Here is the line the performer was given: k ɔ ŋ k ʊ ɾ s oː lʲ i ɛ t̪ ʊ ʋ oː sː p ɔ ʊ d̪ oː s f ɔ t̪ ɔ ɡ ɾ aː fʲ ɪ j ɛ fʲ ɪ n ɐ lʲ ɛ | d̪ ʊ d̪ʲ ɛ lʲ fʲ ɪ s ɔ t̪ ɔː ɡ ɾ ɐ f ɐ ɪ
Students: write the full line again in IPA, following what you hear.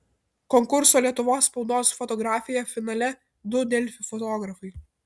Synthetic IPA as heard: k ɔ ŋ k ʊ ɾ s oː lʲ i ɛ t̪ ʊ ʋ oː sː p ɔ ʊ d̪ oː s f ɔ t̪ ɔ ɡ ɾ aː fʲ ɪ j ɛ fʲ ɪ n ɐ lʲ ɛ | d̪ ʊ d̪ʲ ɛ lʲ fʲ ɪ f ɔ t̪ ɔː ɡ ɾ ɐ f ɐ ɪ

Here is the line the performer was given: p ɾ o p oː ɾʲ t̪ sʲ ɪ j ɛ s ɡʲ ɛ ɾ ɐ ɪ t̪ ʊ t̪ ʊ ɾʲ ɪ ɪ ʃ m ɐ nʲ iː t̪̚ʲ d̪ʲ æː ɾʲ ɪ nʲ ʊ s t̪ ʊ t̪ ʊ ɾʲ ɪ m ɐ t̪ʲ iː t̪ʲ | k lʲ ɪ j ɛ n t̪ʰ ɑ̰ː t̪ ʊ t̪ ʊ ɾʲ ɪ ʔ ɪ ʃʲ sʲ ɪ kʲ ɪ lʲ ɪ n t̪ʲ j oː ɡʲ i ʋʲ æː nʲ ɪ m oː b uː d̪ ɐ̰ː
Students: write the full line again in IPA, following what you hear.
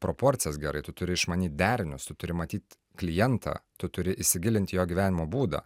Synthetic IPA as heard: p ɾ o p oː ɾʲ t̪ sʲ ɪ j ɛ s ɡʲ ɛ ɾ ɐ ɪ t̪ ʊ t̪ ʊ ɾʲ ɪ ɪ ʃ m ɐ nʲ iː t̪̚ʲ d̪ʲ æː ɾʲ ɪ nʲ ʊ s t̪ ʊ t̪ ʊ ɾʲ ɪ m ɐ t̪ʲ iː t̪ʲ | k lʲ ɪ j ɛ n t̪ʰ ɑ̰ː t̪ ʊ t̪ ʊ ɾʲ ɪ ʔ ɪ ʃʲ sʲ ɪ ɡʲ ɪ lʲ ɪ n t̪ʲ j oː ɡʲ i ʋʲ æː nʲ ɪ m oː b uː d̪ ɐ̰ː

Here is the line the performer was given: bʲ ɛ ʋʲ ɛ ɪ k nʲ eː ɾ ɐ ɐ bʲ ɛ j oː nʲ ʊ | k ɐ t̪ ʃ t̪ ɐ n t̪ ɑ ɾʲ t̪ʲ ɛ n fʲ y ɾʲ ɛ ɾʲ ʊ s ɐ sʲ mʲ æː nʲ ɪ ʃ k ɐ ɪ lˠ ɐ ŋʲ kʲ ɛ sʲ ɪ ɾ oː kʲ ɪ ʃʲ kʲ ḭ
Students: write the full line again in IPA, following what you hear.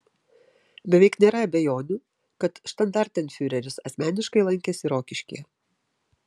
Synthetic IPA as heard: bʲ ɛ ʋʲ ɛ ɪ k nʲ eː ɾ ɐ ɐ bʲ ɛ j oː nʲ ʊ | k ɐ t̪ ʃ t̪ ɐ n d̪ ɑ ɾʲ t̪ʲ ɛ n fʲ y ɾʲ ɛ ɾʲ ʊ s ɐ sʲ mʲ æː nʲ ɪ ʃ k ɐ ɪ lˠ ɐ ŋʲ kʲ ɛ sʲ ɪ ɾ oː kʲ ɪ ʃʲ kʲ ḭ

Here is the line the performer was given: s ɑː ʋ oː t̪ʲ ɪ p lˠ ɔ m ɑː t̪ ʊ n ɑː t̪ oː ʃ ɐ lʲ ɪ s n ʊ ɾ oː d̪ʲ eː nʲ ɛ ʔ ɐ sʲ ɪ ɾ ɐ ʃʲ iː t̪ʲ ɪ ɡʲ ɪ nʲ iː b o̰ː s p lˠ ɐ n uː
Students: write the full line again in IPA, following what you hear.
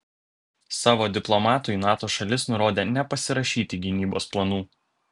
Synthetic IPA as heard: s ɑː ʋ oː d̪ʲ ɪ p lˠ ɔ m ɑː t̪ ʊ n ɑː t̪ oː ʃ ɐ lʲ ɪ s n ʊ ɾ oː d̪ʲ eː nʲ ɛ p ɐ sʲ ɪ ɾ ɐ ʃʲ iː t̪ʲ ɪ ɡʲ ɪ nʲ iː b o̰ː s p lˠ ɐ n uː

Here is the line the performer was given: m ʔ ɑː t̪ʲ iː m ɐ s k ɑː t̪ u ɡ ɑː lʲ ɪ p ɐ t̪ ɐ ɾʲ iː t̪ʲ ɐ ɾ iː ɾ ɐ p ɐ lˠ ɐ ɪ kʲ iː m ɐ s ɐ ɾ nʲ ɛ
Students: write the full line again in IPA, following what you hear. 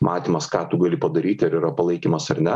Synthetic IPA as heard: m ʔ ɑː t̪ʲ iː m ɐ s k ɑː t̪ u ɡ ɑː lʲ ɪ p ɐ d̪ ɐ ɾʲ iː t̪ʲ ɐ ɾ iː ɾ ɐ p ɐ lˠ ɐ ɪ kʲ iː m ɐ s ɐ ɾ nʲ ɛ

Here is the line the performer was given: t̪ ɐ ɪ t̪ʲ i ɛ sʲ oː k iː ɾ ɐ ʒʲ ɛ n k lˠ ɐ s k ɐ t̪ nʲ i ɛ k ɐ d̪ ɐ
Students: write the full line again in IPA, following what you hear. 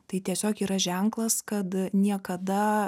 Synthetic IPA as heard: t̪ ɐ ɪ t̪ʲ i ɛ sʲ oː k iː ɾ ɐ ʒʲ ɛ ŋ k lˠ ɐ s k ɐ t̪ nʲ i ɛ k ɐ d̪ ɐ

